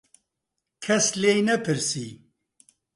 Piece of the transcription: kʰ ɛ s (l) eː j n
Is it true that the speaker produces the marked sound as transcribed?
yes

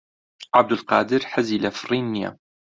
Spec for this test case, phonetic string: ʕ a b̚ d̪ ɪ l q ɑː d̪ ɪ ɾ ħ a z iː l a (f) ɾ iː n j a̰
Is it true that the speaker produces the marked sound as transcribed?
yes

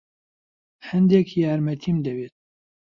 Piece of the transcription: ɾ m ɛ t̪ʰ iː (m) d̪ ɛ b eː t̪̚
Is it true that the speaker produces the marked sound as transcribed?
yes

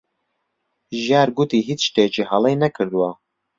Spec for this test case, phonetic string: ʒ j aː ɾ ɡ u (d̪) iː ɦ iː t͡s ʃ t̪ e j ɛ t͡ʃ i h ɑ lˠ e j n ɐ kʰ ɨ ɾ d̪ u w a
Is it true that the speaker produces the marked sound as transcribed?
no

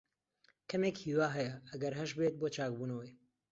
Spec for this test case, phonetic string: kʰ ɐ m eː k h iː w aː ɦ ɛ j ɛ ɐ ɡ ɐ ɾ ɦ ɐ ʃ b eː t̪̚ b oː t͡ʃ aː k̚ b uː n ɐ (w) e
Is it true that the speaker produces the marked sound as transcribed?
yes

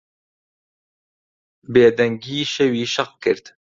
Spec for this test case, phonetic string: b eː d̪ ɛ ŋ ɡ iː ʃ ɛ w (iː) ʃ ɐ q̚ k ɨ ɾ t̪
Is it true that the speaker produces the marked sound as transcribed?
yes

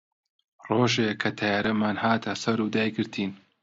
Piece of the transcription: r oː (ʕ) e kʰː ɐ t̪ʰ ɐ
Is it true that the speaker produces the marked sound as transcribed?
no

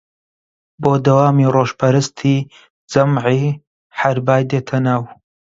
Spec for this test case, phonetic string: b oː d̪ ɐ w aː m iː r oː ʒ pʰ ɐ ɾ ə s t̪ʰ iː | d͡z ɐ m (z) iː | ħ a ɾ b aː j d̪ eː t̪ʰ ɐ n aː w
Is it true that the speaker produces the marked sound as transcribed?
no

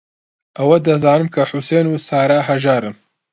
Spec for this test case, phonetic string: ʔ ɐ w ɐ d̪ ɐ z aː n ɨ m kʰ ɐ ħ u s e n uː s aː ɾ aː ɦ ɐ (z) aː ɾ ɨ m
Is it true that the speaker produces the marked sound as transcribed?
no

